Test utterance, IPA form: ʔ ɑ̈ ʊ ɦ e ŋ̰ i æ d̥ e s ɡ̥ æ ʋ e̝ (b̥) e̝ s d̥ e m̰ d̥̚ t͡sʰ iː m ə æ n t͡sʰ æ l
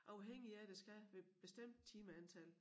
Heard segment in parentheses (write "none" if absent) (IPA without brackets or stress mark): b̥